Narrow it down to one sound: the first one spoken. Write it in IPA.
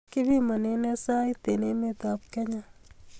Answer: k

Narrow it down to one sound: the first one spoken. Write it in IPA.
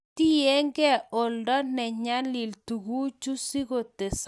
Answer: t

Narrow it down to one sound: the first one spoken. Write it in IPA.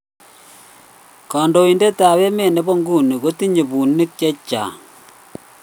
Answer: k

